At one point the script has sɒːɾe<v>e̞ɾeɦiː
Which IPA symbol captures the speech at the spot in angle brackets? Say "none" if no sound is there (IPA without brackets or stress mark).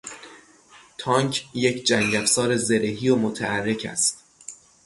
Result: z